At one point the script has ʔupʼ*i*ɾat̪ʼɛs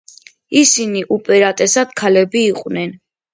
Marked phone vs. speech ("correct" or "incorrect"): incorrect